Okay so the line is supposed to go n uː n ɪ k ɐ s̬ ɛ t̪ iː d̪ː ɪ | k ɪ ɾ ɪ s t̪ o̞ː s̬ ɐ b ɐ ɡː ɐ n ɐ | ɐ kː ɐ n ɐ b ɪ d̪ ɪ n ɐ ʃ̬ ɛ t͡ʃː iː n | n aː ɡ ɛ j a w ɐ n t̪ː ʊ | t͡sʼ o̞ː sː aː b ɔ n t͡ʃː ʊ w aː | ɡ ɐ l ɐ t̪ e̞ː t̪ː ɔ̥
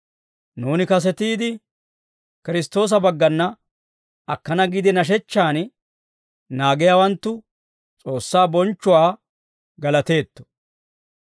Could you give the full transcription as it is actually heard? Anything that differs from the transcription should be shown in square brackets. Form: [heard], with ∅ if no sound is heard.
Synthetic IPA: n uː n ɪ k ɐ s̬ ɛ t̪ iː [d̪] ɪ | k ɪ ɾ ɪ s t̪ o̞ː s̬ ɐ b ɐ ɡː ɐ [nː] ɐ | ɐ kː ɐ n ɐ [ɡ] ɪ d̪ ɪ n ɐ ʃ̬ ɛ t͡ʃː [aː] n | n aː ɡ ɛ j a w ɐ n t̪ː ʊ | t͡sʼ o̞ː sː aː b ɔ n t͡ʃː ʊ w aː | ɡ ɐ l ɐ t̪ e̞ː t̪ː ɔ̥